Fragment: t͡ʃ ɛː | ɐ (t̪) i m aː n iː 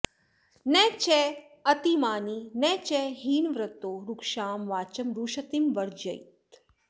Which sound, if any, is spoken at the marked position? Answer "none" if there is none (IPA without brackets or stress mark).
t̪